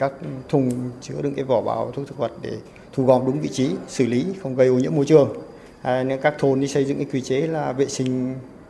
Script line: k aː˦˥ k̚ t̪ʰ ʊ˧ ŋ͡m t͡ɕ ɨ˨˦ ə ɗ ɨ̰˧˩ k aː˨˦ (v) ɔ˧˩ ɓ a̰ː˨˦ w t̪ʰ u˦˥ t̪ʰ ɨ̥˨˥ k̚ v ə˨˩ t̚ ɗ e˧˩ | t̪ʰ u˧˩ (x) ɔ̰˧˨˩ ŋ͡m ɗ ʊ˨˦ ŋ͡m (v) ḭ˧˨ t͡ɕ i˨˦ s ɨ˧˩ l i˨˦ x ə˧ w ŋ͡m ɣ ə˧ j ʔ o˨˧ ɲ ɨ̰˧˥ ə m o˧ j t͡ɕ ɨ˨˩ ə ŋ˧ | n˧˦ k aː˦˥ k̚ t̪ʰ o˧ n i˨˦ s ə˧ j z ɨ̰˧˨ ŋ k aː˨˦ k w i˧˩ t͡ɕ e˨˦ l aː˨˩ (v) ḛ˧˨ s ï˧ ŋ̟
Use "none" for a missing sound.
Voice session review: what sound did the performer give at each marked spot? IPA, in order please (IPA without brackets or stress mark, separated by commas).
v, ɣ, v, v